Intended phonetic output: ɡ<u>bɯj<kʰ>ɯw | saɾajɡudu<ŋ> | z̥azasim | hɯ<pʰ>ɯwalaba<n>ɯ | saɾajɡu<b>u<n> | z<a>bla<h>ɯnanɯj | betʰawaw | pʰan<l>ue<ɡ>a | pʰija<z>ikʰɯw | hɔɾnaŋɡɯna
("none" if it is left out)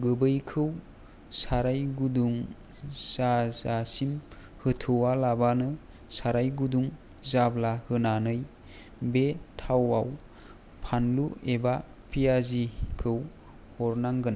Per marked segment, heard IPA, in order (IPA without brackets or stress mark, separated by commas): ɯ, kʰ, ŋ, tʰ, n, d, ŋ, a, h, l, b, z